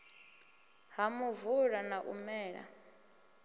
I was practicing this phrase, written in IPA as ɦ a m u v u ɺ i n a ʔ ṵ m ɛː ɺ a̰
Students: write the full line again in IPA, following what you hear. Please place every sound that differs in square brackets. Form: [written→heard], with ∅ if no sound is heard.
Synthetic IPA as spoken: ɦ a m u v u ɺ [i→a] n a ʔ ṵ m ɛː ɺ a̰